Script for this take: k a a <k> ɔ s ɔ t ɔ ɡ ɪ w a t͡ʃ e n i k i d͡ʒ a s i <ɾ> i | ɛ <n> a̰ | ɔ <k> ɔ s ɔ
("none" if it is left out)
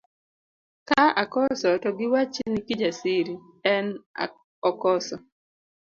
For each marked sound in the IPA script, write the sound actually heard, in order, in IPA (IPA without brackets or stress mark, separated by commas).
k, ɾ, n, k